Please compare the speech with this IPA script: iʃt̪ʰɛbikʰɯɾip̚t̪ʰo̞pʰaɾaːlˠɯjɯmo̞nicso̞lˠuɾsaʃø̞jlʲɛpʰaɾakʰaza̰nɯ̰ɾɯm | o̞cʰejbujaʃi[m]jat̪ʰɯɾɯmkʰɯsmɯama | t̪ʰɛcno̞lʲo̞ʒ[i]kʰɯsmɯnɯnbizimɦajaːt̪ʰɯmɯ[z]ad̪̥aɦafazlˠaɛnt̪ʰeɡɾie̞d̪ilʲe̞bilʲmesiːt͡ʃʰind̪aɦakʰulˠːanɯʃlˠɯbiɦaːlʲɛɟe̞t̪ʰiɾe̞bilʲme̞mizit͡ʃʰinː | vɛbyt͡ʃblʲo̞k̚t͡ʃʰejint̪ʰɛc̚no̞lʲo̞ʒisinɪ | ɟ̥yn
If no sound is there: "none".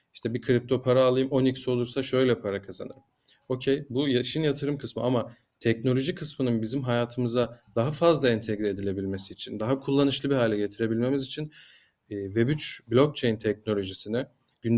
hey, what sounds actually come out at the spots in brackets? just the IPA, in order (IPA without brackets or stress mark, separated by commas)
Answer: n, i, z